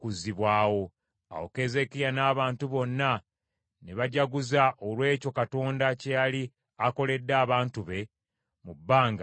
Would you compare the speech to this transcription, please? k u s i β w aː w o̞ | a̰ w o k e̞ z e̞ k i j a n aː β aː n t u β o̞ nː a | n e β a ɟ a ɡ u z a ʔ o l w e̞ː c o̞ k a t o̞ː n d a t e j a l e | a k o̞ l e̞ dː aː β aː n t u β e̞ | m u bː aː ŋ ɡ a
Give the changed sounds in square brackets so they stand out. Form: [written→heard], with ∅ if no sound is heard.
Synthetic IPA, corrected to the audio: k u [s→z] i β w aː w o̞ | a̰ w o k e̞ z e̞ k i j a n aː β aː n t u β o̞ nː a | n e β a ɟ a ɡ u z a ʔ o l w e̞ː c o̞ k a t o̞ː n d a [t→c] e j a l [e→i] | a k o̞ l e̞ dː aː β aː n t u β e̞ | m u bː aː ŋ ɡ a

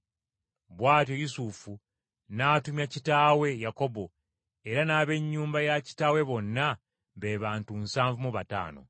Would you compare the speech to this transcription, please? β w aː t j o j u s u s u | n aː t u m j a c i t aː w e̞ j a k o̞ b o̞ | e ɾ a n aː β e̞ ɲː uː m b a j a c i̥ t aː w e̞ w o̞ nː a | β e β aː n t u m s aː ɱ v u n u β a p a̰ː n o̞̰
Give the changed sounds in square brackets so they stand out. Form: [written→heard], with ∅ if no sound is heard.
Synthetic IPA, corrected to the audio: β w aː t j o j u s u [s→f] u | n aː t u m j a c i t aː w e̞ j a k o̞ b o̞ | e ɾ a n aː β e̞ ɲː uː m b a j a c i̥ t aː w e̞ [w→β] o̞ nː a | β e β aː n t u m s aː ɱ v u [n→m] u β a [p→t] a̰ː n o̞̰

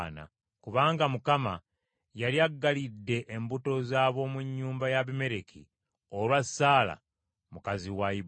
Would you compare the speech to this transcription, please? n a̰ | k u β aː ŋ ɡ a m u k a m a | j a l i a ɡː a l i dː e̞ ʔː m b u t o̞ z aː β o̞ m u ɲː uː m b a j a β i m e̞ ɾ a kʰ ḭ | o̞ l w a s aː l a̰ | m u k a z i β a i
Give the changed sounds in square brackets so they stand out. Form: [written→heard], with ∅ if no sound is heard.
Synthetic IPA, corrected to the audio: n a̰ | k u β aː ŋ ɡ a m u k a m a | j a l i a ɡː a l i dː e̞ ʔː m b u t o̞ z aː β o̞ m u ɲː uː m b a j a β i m e̞ ɾ [a→e] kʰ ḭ | o̞ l w a s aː l a̰ | m u k a z i [β→w] a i

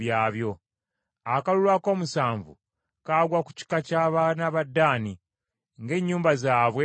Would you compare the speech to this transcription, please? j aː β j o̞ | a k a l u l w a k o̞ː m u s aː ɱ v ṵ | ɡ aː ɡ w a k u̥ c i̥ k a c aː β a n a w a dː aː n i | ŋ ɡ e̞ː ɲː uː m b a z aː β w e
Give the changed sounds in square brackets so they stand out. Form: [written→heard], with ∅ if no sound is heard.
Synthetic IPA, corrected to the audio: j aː β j o̞ | a k a l u l w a k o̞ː m u s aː ɱ v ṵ | [ɡ→k] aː ɡ w a k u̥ c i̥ k a c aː β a n a [w→β] a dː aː n i | ŋ ɡ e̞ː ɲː uː m b a z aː β w e

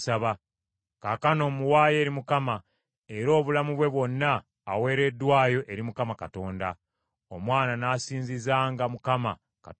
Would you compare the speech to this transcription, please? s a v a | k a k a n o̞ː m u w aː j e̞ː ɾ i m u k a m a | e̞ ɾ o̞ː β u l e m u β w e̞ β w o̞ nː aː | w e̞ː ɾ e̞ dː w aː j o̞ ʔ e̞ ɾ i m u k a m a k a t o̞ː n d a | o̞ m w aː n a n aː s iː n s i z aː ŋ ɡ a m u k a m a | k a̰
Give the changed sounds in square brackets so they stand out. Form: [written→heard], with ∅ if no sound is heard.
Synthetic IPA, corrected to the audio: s a [v→β] a | k a k a n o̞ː m u w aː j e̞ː ɾ i m u k a m a | e̞ ɾ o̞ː β u l [e→a] m u β w e̞ β w o̞ nː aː | w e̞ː ɾ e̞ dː w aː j o̞ ʔ e̞ ɾ i m u k a m a k a t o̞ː n d a | o̞ m w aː n a n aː s iː n [s→z] i z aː ŋ ɡ a m u k a m a | k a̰

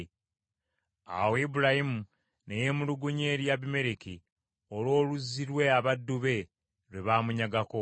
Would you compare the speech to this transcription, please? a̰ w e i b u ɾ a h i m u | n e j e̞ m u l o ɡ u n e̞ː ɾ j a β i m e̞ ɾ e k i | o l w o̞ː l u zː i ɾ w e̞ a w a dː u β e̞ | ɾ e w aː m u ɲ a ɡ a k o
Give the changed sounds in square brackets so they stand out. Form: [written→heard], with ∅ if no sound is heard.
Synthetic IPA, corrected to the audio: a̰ w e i b u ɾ a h i m u | n e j e̞ m u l [o→u] ɡ u [n→ɲ] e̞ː ɾ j a β i m e̞ ɾ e k i | o l w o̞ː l u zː i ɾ w e̞ a [w→β] a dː u β e̞ | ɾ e [w→β] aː m u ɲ a ɡ a k o

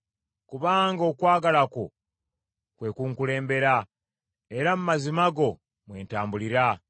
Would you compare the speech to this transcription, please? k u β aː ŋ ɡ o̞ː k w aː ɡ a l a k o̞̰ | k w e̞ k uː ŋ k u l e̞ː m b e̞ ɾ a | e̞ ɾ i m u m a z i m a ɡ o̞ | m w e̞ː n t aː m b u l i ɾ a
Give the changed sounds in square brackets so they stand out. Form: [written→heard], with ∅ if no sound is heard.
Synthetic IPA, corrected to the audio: k u β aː ŋ ɡ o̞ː k w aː ɡ a l a k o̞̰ | k w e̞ k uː ŋ k u l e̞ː m b e̞ ɾ a | e̞ ɾ [i→a] m u m a z i m a ɡ o̞ | m w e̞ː n t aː m b u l i ɾ a

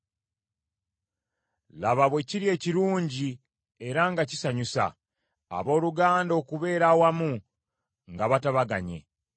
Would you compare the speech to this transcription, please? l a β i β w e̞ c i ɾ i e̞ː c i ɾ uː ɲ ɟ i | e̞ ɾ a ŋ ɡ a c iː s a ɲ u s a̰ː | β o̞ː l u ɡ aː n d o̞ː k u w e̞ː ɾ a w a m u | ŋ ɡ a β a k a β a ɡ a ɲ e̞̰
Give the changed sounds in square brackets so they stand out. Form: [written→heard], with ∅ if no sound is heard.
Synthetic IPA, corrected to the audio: l a β [i→a] β w e̞ c i ɾ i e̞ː c i ɾ uː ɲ ɟ i | e̞ ɾ a ŋ ɡ a c [iː→i] s a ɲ u s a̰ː | β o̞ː l u ɡ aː n d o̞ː k u [w→β] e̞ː ɾ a w a m u | ŋ ɡ a β a [k→t] a β a ɡ a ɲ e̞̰

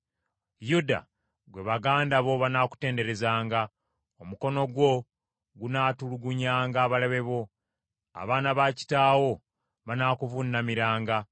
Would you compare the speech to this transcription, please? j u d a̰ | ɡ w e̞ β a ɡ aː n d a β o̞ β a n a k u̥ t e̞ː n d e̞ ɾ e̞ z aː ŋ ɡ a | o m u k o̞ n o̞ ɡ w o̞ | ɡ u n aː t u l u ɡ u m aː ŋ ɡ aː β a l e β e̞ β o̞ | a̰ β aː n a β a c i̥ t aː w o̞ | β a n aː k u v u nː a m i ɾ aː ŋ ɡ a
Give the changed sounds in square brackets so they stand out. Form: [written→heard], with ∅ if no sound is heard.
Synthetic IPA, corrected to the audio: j u d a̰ | ɡ w e̞ β a ɡ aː n d a β o̞ β a n a k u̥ t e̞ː n d e̞ ɾ e̞ z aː ŋ ɡ a | o m u k o̞ n o̞ ɡ w o̞ | ɡ u n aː t u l u ɡ u [m→ɲ] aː ŋ ɡ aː β a l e β e̞ β o̞ | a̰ β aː n a β a c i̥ t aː w o̞ | β a n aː k u v u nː a m i ɾ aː ŋ ɡ a

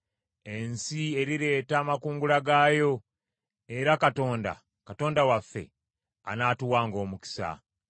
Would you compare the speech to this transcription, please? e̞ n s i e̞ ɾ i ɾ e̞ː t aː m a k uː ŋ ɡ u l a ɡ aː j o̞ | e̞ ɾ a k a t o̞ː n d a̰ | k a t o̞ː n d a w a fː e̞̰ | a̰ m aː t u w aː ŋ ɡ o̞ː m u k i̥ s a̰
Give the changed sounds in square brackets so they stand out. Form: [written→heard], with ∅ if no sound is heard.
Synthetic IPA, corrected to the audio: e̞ n s i e̞ ɾ i ɾ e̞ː t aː m a k uː ŋ ɡ u l a ɡ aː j o̞ | e̞ ɾ a k a t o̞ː n d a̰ | k a t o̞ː n d a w a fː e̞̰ | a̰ [m→n] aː t u w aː ŋ ɡ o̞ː m u k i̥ s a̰

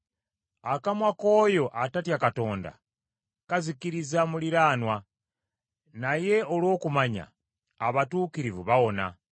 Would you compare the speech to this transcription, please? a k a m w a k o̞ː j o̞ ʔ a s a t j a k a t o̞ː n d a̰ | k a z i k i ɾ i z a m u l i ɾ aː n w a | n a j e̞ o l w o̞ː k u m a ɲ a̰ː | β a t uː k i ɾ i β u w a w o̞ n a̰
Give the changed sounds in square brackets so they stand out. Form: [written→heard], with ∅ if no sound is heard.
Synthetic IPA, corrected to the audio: a k a m w a k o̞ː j o̞ ʔ a [s→t] a t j a k a t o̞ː n d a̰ | k a z i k i ɾ i z a m u l i ɾ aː n w a | n a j e̞ o l w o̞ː k u m a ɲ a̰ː | β a t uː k i ɾ i [β→v] u [w→β] a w o̞ n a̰

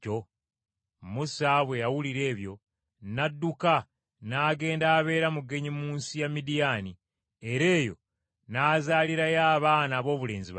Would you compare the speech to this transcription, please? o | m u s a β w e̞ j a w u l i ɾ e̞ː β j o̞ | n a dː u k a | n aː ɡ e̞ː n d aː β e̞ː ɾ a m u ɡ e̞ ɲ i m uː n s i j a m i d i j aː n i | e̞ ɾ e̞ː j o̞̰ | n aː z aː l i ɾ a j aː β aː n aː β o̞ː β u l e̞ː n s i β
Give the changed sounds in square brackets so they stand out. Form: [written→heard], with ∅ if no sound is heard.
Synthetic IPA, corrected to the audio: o | m u s a β w e̞ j a w u l i ɾ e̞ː β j o̞ | n a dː u k a | n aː ɡ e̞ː n d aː β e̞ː ɾ a m u ɡ e̞ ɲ i m uː n s i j a m i d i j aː n i | e̞ ɾ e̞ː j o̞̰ | n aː z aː l i ɾ a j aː β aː n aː β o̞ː β u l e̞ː n [s→z] i β

